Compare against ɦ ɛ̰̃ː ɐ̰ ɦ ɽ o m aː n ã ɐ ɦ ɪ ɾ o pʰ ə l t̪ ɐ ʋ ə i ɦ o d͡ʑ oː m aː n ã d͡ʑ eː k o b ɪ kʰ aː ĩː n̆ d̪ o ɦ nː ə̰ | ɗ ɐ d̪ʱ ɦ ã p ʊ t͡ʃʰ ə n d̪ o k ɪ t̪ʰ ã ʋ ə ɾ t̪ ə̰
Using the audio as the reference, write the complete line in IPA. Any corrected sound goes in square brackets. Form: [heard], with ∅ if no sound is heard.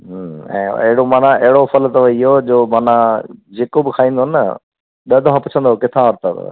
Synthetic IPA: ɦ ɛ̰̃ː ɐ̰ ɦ ɽ o m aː n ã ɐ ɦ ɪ [ɽ] o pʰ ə l t̪ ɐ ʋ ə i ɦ o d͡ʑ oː m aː n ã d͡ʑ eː k o b ɪ kʰ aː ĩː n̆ d̪ o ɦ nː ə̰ | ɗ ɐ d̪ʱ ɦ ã p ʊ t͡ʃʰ ə n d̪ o k ɪ t̪ʰ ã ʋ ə ɾ t̪ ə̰

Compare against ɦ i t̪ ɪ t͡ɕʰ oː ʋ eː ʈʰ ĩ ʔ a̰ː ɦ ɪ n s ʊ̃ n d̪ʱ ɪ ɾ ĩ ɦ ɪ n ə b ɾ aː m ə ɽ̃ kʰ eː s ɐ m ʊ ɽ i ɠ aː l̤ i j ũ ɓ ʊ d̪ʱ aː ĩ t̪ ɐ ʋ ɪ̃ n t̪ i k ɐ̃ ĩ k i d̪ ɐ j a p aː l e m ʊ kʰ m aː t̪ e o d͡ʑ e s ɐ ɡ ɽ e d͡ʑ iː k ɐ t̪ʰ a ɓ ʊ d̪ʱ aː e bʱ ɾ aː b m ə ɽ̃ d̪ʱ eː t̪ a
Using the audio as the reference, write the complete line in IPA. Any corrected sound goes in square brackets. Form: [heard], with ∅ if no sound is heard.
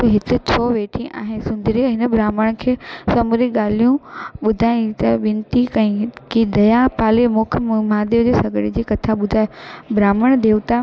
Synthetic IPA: ɦ [ɪ] t̪ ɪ t͡ɕʰ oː ʋ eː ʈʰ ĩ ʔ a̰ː ɦ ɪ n s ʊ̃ n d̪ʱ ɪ ɾ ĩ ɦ ɪ n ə b ɾ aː m ə ɽ̃ kʰ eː s ɐ m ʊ [ɾ] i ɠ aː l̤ i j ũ ɓ ʊ d̪ʱ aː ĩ t̪ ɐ ʋ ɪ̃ n t̪ i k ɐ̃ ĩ k i d̪ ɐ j a p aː l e m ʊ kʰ m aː [d̪] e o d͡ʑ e s ɐ ɡ ɽ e d͡ʑ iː k ɐ t̪ʰ a ɓ ʊ d̪ʱ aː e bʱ ɾ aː [∅] m ə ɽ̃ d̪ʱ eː t̪ a

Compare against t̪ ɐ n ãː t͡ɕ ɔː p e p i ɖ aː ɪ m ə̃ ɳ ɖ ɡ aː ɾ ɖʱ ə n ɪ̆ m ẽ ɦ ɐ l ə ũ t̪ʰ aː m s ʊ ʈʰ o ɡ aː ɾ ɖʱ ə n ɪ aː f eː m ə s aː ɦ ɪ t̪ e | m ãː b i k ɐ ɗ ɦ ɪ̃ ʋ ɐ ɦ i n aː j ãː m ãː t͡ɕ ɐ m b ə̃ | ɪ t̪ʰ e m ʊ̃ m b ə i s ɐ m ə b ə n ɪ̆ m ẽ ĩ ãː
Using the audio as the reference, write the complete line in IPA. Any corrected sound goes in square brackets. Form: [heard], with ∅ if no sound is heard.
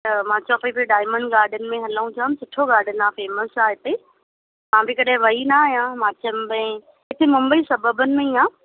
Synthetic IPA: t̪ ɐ [m] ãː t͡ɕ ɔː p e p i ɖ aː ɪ m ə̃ ɳ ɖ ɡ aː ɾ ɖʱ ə n ɪ̆ m ẽ ɦ ɐ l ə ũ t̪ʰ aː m s ʊ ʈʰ o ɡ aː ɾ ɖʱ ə n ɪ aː f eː m ə s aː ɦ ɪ t̪ e | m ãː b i k ɐ ɗ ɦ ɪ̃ ʋ ɐ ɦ i n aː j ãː m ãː t͡ɕ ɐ m b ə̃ | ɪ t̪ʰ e m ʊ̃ m b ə i s ɐ [b] ə b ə n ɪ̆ m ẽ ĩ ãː

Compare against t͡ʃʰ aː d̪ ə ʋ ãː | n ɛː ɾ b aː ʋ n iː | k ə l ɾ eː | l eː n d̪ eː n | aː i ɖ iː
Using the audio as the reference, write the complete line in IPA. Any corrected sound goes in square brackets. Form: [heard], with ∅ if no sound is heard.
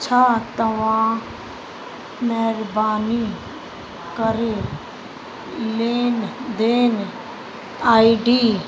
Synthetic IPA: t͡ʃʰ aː [t̪] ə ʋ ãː | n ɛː ɾ b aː [∅] n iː | k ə [∅] ɾ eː | l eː n d̪ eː n | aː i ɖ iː

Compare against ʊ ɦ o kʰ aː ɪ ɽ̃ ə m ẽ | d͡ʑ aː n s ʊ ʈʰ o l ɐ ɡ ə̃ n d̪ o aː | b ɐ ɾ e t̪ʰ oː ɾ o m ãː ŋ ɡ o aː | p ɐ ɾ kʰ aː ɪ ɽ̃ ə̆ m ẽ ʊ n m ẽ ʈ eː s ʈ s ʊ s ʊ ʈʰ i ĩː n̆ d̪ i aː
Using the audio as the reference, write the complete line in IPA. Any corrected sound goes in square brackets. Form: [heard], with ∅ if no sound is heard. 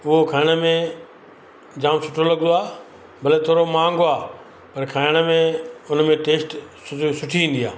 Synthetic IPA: ʊ ɦ o kʰ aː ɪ ɽ̃ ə m ẽ | d͡ʑ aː [m] s ʊ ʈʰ o l ɐ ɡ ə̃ n d̪ o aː | b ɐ [l] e t̪ʰ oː ɾ o m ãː ŋ ɡ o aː | p ɐ ɾ kʰ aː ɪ ɽ̃ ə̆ m ẽ ʊ n m ẽ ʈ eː s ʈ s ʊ s ʊ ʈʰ i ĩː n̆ d̪ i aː

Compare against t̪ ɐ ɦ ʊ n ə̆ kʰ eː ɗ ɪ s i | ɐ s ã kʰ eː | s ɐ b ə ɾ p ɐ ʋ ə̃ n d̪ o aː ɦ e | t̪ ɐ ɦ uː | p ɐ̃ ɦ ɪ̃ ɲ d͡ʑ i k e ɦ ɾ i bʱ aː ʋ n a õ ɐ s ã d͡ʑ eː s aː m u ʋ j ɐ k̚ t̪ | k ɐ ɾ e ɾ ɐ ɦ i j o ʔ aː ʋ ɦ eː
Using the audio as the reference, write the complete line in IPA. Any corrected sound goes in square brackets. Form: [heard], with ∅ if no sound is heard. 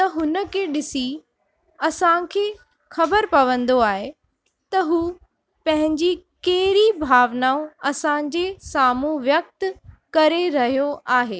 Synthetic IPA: t̪ ɐ ɦ ʊ n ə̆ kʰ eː ɗ ɪ s i | ɐ s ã kʰ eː | [x] ɐ b ə ɾ p ɐ ʋ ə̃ n d̪ o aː ɦ e | t̪ ɐ ɦ uː | p ɐ̃ ɦ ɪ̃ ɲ d͡ʑ i k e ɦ ɾ i bʱ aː ʋ n a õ ɐ s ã d͡ʑ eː s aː m u ʋ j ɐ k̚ t̪ | k ɐ ɾ e ɾ ɐ ɦ i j o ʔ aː [∅] ɦ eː

